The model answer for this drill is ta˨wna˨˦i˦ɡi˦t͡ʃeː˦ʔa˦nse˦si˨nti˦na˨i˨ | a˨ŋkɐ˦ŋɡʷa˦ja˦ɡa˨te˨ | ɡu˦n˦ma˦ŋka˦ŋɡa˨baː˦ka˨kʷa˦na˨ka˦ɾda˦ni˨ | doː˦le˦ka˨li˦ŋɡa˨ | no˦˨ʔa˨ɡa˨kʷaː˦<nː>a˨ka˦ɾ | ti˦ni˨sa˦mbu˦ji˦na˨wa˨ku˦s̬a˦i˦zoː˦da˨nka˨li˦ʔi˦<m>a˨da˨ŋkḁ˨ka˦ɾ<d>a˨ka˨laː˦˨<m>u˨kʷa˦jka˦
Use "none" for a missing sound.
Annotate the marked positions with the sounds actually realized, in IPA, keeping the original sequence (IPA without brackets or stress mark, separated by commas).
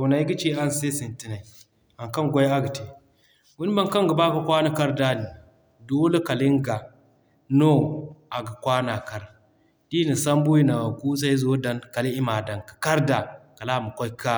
n, m, d, m